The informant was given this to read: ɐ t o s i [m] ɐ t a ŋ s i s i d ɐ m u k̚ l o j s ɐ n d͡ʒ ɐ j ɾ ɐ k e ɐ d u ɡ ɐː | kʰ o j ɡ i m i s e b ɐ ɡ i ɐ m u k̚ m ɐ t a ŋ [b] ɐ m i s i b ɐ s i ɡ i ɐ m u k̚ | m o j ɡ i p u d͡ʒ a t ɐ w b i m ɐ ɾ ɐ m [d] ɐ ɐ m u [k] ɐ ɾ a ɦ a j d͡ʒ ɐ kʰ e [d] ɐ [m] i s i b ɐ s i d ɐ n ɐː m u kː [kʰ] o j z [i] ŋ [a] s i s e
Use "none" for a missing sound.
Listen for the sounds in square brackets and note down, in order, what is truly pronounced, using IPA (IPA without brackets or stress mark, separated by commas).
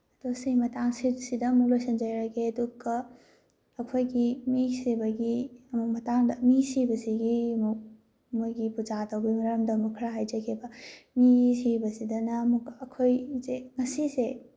m, d, d, kʰ, b, m, kʰ, e, ɐ